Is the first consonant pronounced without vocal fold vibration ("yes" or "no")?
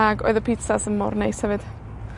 no